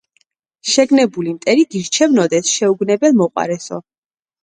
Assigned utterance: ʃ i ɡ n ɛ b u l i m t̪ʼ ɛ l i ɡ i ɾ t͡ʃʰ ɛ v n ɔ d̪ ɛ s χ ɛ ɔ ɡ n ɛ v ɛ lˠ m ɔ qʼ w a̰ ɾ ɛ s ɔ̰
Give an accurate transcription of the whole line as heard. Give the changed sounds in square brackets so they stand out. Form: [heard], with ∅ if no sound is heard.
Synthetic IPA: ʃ [ɛ] ɡ n ɛ b u l i m t̪ʼ ɛ [ɾ] i ɡ i ɾ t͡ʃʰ ɛ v n ɔ d̪ ɛ s [ʃ] ɛ [u] ɡ n ɛ [b] ɛ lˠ m ɔ qʼ w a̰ ɾ ɛ s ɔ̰